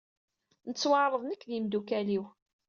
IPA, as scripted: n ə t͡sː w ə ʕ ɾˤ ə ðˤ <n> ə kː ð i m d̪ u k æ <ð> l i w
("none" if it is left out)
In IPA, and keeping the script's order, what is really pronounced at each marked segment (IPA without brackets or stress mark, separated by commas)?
n, none